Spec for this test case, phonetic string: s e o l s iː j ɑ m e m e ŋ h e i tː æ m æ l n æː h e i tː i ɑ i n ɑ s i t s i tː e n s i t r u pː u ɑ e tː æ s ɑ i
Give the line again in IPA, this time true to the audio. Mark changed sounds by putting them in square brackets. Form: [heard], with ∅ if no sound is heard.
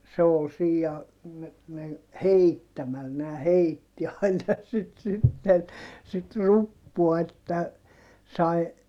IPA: s e o l s iː j ɑ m e m e ŋ h e i tː æ m æ l n æː h e i tː i ɑ i n ɑ s i t s i tː e n s i t r u pː u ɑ e tː æ s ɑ i